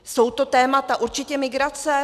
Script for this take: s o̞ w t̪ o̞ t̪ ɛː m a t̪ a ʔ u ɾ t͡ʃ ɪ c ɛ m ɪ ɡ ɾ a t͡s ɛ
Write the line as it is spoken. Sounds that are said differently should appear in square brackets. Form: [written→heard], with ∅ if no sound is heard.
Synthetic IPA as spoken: s o̞ w t̪ o̞ t̪ ɛː m a t̪ a ʔ u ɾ t͡ʃ ɪ c ɛ m ɪ ɡ ɾ a t͡s ɛ